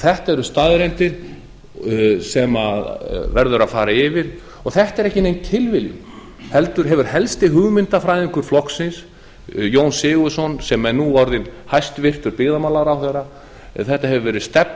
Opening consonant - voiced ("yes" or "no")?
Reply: no